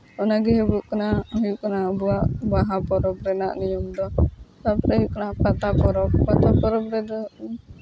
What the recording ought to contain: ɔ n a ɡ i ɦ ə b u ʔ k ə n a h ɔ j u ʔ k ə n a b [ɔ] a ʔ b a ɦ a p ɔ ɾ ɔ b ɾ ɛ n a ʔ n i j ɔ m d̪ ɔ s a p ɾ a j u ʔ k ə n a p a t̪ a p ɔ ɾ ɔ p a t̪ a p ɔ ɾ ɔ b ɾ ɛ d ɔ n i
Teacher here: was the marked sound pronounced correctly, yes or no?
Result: no